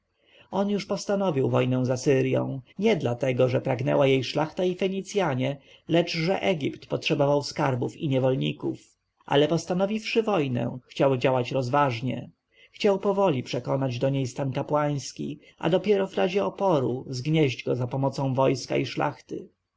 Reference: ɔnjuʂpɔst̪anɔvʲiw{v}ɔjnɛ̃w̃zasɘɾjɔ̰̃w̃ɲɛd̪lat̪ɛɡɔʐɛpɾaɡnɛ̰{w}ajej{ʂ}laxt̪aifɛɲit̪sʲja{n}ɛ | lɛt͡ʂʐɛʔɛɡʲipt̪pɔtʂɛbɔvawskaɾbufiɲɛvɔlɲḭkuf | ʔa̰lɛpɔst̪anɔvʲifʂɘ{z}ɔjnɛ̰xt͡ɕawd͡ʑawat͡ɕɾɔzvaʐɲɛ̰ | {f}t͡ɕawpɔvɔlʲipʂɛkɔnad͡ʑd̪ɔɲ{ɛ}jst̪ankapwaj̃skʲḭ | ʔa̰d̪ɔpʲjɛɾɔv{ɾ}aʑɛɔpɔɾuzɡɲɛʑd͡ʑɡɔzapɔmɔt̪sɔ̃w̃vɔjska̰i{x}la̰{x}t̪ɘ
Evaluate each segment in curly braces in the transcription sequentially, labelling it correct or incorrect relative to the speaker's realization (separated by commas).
correct, correct, correct, incorrect, incorrect, incorrect, incorrect, correct, incorrect, correct